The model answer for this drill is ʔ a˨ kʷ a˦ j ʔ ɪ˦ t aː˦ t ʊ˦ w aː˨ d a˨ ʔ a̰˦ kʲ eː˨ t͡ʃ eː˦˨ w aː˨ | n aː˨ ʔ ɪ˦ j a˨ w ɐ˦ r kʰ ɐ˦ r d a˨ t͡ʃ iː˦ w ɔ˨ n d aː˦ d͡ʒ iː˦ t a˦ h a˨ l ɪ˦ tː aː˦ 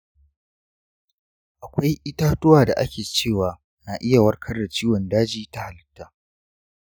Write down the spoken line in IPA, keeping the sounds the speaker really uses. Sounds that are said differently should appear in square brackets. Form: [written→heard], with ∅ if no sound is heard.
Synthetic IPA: ʔ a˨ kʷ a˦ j ʔ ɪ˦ t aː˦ t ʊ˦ w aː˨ d a˨ ʔ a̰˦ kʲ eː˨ t͡ʃ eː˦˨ w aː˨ | n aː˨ ʔ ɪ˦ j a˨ w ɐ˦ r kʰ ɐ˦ r d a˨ t͡ʃ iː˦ w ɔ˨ n d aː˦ d͡ʒ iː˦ t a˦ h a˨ l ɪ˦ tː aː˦